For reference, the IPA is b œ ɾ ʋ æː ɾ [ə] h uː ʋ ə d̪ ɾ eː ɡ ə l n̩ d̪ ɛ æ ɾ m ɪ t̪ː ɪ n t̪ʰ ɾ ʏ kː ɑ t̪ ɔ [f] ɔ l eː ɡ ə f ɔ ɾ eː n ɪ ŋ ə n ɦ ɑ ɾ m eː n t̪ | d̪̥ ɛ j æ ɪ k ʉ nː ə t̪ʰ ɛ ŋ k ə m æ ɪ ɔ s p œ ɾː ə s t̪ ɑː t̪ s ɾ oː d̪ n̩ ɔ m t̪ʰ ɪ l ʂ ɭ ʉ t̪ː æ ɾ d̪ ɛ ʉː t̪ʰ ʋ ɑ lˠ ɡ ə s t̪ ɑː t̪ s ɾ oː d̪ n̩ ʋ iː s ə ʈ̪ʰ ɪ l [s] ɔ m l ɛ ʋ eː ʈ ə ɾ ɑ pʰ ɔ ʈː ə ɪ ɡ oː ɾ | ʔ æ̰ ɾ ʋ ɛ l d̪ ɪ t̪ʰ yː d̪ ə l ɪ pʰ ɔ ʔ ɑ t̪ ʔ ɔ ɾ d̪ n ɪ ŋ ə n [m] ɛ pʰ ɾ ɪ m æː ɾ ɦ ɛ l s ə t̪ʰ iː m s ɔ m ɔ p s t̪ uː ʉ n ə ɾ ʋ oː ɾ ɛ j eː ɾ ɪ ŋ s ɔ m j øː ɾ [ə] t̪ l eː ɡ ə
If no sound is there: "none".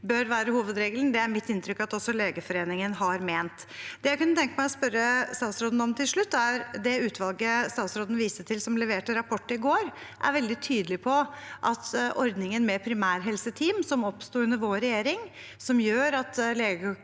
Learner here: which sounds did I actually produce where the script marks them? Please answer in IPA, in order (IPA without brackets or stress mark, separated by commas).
ə, s, s, m, ɑ